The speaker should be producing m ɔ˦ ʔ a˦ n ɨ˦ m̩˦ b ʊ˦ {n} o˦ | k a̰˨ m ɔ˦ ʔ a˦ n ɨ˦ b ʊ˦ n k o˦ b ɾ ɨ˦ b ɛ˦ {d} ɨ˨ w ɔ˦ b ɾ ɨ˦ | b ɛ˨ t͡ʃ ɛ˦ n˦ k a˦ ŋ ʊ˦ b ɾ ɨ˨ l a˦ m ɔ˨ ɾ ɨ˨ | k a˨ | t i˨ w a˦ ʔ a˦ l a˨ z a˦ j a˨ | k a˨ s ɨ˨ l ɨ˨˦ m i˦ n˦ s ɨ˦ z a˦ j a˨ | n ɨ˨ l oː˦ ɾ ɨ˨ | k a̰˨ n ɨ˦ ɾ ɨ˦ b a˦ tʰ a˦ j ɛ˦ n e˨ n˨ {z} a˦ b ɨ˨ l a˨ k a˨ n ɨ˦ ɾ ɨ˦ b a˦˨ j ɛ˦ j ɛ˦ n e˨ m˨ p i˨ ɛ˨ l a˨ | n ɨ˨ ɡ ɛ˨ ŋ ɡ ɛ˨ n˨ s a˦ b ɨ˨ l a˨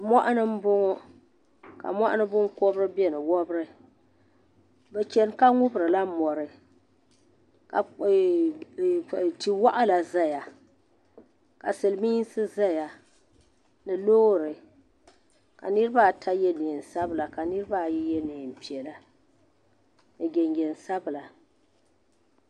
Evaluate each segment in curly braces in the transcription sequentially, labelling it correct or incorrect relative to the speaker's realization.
incorrect: ŋ, incorrect: n, incorrect: s

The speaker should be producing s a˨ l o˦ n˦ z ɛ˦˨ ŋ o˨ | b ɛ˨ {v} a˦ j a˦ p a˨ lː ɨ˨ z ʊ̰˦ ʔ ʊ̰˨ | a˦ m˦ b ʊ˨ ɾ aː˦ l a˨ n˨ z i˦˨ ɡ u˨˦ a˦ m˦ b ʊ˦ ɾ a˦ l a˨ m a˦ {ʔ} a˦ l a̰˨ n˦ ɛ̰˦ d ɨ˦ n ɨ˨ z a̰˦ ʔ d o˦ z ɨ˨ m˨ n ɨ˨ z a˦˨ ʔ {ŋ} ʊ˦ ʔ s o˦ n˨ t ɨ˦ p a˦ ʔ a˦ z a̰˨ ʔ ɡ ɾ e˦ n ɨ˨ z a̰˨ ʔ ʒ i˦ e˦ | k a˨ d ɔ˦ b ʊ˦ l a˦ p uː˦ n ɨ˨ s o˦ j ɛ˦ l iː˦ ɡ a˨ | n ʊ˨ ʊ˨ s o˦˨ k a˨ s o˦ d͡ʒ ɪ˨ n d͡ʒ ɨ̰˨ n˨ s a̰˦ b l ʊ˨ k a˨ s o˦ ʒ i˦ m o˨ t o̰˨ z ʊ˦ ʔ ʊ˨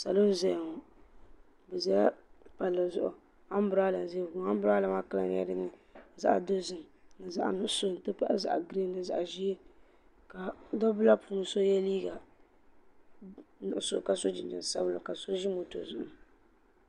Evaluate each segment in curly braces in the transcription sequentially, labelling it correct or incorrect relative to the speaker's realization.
incorrect: z, incorrect: k, incorrect: n

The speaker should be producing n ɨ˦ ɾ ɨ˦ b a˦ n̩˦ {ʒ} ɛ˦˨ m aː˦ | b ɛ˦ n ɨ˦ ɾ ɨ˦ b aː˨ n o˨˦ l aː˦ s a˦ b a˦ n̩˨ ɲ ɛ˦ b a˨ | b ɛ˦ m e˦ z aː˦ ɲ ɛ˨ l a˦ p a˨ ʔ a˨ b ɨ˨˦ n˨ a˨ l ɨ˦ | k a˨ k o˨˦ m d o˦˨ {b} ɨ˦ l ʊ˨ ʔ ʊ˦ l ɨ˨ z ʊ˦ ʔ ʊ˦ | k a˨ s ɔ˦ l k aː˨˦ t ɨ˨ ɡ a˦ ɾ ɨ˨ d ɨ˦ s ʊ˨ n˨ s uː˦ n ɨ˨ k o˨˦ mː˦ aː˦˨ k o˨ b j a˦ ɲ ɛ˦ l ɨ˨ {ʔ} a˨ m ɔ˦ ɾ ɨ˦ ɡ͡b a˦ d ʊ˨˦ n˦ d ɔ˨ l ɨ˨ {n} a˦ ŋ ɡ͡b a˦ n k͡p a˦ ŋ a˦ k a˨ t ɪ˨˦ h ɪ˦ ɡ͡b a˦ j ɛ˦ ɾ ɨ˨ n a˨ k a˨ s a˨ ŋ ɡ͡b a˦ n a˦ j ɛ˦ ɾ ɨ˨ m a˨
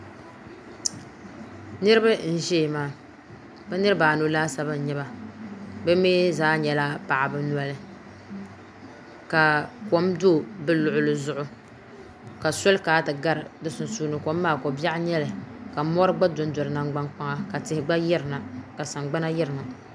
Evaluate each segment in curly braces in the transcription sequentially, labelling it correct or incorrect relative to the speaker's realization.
correct, correct, incorrect: k, correct

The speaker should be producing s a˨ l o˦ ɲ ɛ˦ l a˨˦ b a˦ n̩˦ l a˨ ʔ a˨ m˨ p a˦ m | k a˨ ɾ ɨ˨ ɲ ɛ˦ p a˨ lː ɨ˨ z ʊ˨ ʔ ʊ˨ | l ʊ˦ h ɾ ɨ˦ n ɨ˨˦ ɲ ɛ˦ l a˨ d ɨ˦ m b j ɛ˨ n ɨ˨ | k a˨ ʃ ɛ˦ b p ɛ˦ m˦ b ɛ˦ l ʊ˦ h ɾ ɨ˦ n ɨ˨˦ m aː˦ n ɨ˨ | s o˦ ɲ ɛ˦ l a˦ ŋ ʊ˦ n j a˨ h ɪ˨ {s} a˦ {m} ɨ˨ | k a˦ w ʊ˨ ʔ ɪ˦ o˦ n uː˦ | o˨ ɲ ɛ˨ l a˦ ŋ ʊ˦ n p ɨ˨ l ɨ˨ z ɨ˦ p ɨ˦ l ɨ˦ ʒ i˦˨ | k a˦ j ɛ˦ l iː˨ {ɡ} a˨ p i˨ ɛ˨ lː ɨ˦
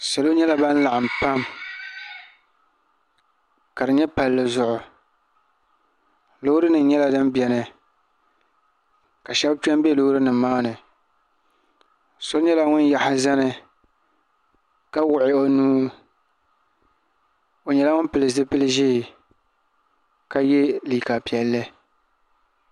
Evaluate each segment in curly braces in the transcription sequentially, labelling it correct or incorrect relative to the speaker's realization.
incorrect: z, incorrect: n, incorrect: k

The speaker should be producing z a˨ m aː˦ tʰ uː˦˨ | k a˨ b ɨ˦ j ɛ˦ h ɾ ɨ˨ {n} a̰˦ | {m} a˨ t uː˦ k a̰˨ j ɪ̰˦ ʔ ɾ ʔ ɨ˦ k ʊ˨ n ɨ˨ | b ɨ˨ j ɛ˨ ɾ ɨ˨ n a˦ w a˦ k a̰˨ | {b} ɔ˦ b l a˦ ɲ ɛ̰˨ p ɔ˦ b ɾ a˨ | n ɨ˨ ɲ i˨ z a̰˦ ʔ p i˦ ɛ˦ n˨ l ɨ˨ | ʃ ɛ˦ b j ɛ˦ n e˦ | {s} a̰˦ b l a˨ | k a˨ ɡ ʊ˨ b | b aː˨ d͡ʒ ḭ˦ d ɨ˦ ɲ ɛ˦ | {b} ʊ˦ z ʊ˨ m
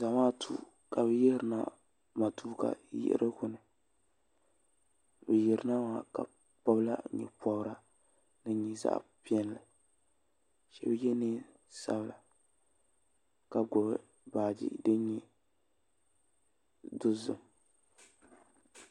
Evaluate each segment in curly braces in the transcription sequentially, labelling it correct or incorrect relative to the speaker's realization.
correct, correct, incorrect: p, correct, incorrect: d

